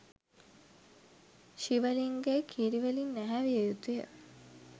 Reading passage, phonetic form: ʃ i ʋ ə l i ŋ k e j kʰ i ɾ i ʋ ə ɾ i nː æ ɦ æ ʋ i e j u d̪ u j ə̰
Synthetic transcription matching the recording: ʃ i ʋ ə l i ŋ ɡ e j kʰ i ɾ i ʋ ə l i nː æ ɦ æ ʋ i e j u t̪ u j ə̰